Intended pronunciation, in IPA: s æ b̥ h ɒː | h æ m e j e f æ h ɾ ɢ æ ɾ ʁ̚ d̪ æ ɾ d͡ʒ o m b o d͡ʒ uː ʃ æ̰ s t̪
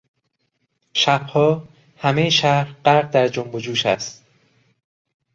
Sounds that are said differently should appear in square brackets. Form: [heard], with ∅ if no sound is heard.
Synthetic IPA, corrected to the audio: [ʃ] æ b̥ h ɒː | h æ m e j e [ʃ] æ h ɾ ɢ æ ɾ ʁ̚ d̪ æ ɾ d͡ʒ o m b o d͡ʒ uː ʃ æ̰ s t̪